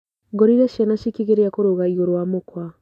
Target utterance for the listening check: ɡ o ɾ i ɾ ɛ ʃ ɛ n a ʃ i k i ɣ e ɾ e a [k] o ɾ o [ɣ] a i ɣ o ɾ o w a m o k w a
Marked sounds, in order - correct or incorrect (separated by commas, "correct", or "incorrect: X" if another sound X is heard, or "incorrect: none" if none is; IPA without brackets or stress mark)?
correct, correct